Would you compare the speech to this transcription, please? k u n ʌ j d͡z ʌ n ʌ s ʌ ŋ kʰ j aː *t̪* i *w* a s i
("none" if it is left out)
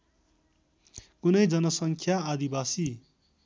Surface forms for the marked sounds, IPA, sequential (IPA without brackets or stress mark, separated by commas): d̪, b